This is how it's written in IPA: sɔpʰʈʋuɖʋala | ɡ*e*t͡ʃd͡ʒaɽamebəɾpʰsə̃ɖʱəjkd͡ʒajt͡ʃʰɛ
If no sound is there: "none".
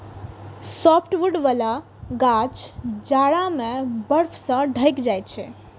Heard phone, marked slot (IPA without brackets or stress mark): a